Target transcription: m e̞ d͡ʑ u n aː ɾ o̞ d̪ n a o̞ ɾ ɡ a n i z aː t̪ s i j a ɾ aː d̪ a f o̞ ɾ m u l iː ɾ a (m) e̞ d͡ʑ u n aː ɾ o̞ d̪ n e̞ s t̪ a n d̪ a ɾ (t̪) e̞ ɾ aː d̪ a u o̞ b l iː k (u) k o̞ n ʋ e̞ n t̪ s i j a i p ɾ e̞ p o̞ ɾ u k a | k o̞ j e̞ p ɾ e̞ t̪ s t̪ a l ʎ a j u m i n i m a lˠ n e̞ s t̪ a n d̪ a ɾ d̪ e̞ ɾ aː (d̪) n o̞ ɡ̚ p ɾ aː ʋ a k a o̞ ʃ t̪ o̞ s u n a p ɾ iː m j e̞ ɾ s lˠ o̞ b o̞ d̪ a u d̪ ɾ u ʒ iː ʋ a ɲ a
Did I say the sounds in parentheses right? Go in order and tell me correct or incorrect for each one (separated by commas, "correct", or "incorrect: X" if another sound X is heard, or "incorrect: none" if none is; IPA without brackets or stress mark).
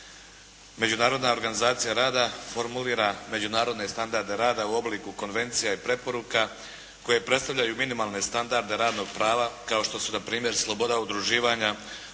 correct, incorrect: d̪, correct, correct